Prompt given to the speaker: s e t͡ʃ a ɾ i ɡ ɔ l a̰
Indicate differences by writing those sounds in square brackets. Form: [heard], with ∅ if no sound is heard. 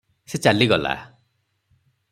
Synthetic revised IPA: s e t͡ʃ a [l] i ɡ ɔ l a̰